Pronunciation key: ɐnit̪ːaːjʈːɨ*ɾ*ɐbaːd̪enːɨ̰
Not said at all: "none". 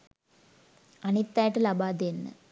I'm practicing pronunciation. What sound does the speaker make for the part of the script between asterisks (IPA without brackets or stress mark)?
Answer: l